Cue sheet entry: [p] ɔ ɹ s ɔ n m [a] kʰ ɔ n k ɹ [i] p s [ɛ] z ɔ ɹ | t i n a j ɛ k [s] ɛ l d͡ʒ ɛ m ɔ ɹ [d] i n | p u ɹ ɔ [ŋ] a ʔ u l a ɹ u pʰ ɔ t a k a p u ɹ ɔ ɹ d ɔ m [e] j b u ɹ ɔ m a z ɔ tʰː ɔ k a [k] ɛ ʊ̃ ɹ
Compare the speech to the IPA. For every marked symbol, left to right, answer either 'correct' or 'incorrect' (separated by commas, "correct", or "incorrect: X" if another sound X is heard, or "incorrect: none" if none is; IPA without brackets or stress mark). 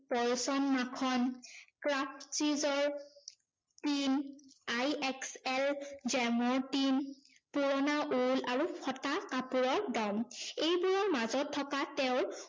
correct, correct, incorrect: a, incorrect: i, correct, incorrect: t, incorrect: n, correct, incorrect: t